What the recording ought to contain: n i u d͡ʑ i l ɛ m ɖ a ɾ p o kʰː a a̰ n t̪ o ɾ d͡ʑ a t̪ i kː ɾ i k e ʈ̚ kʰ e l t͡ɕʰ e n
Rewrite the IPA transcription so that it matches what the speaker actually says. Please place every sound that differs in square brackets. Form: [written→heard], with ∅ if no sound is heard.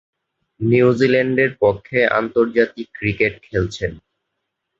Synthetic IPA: n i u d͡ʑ i l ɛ [m→ɳ] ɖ [a→e] ɾ p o kʰː [a→e] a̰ n t̪ o ɾ d͡ʑ a t̪ i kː ɾ i k e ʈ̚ kʰ e l t͡ɕʰ e n